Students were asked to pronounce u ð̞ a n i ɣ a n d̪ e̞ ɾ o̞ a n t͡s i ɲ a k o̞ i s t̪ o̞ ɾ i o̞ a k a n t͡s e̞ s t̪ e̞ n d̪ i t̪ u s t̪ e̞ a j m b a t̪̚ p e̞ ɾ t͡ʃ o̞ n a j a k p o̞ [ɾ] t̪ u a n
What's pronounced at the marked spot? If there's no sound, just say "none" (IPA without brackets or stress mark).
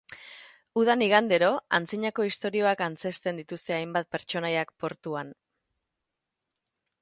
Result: ɾ